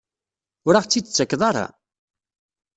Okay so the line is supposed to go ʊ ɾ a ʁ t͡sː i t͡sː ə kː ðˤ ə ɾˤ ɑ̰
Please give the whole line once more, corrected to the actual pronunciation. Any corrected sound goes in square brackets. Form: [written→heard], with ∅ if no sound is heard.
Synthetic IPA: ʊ ɾ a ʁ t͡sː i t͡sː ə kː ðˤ [ə→ɑ] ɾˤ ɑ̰